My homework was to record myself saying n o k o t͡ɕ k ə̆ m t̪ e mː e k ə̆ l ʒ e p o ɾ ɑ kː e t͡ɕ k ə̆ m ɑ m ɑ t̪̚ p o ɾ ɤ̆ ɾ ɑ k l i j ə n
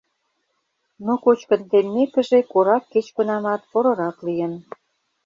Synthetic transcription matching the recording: n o k o t͡ɕ k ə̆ n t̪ e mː e k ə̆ ʒ e k o ɾ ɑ kː e t͡ɕ k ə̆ n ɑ m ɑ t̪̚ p o ɾ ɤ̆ ɾ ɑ k l i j ə n